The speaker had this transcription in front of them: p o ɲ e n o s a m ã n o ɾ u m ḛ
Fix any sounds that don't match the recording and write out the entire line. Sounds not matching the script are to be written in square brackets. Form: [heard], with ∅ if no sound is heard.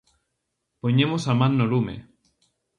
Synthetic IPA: p o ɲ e [m] o s a m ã [nː] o [l] u m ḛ

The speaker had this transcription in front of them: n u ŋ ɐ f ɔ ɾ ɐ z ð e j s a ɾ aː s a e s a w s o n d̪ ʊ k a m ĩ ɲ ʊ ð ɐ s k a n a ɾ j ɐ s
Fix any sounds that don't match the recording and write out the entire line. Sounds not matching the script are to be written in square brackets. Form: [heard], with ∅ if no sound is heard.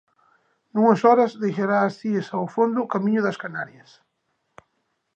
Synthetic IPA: n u ŋ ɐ [s] ɔ ɾ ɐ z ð e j [ʃ] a ɾ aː s [i] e s a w [f] o n d̪ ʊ k a m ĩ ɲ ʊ ð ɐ s k a n a ɾ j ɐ s

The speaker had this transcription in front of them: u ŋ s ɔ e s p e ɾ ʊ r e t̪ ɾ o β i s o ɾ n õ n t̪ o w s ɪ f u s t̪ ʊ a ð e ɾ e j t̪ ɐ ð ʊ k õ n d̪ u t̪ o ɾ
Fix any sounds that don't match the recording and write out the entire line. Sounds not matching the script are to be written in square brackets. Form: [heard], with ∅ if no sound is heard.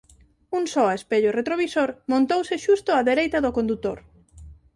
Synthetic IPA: u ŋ s ɔ e s p e [ʎ] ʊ r e t̪ ɾ o β i s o ɾ [m] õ n t̪ o w s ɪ [ʃ] u s t̪ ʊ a ð e ɾ e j t̪ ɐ ð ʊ k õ n d̪ u t̪ o ɾ

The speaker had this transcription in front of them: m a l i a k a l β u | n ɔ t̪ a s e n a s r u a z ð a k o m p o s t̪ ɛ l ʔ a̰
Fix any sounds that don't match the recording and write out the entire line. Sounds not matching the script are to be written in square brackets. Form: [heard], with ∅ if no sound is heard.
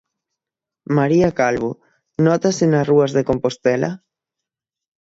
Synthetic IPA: m a [ɾ] i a k a l β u | n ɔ t̪ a s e n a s r u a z ð [e] k o m p o s t̪ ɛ l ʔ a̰

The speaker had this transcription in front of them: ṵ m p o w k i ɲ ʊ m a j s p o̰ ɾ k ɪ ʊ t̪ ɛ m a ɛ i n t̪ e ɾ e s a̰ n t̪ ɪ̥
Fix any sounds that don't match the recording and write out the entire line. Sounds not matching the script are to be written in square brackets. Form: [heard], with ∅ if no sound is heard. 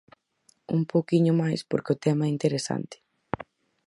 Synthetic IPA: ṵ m p o w k i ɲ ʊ m a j s p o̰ ɾ k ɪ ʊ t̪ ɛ m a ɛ i n t̪ e ɾ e s a̰ n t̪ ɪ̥

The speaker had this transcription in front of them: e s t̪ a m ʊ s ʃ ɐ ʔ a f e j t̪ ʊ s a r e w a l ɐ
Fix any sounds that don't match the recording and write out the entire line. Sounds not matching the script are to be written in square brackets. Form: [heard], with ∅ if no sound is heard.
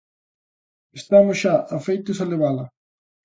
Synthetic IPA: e s t̪ a m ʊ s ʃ [a] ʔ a f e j t̪ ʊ s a [l] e [β] a l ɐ

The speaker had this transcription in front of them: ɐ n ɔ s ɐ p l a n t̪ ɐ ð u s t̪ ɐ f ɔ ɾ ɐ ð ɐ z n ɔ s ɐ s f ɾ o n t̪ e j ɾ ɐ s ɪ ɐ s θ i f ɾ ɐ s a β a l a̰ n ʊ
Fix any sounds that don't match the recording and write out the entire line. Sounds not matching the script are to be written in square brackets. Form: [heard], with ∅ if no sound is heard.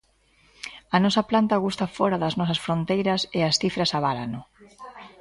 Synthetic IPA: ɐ n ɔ s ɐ p l a n t̪ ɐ [ɣ] u s t̪ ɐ f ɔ ɾ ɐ ð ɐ z n ɔ s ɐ s f ɾ o n t̪ e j ɾ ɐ s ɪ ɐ s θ i f ɾ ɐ s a β a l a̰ n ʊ

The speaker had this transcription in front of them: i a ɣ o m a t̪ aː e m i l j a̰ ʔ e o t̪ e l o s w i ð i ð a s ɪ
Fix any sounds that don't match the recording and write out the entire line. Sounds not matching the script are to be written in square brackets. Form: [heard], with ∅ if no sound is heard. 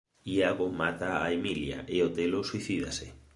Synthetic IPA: i a ɣ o m a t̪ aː e m i l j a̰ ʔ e o t̪ e l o s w i [θ] i ð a s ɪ

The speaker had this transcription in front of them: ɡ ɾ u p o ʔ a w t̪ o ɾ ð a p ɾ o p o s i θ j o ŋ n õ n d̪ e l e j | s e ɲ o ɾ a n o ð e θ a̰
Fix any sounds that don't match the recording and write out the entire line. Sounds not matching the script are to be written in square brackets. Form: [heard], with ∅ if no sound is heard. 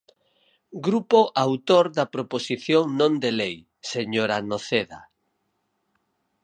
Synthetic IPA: ɡ ɾ u p o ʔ a w t̪ o ɾ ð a p ɾ o p o s i θ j o ŋ n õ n d̪ e l e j | s e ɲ o ɾ a n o [θ] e [ð] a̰

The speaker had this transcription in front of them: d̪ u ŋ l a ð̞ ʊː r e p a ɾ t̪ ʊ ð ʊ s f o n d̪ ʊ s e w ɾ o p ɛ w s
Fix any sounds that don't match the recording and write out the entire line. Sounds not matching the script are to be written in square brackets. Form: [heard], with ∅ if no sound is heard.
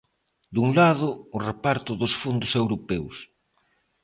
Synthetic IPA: d̪ u ŋ l a ð̞ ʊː r e p a ɾ t̪ ʊ ð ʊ s f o n d̪ ʊ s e w ɾ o p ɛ w s

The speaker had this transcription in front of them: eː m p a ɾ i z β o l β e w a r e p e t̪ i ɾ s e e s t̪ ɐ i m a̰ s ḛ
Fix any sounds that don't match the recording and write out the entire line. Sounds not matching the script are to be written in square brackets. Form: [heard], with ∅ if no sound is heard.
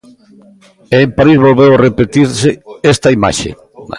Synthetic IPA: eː m p a ɾ i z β o l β e w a r e p e t̪ i ɾ s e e s t̪ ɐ i m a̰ [ʃ] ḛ

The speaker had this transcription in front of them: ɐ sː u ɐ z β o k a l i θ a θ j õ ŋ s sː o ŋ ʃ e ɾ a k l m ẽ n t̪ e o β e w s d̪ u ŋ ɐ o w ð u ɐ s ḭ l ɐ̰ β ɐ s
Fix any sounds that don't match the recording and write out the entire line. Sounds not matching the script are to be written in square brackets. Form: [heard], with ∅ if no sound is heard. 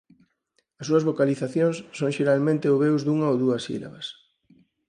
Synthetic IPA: ɐ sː u ɐ z β o k a l i θ a θ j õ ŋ s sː o ŋ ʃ e ɾ a [∅] l m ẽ n t̪ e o β e w [z] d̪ u ŋ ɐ o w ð u ɐ s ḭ l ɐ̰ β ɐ s

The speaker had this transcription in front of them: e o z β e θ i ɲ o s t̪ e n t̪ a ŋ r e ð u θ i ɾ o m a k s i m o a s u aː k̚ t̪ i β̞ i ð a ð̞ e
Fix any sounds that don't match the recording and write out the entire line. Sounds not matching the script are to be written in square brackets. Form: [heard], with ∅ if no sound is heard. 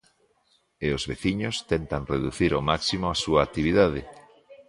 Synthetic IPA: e o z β e θ i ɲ o s t̪ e n t̪ a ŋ r e ð u θ i ɾ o m a k s i m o a s u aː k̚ t̪ i β̞ i ð a ð̞ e

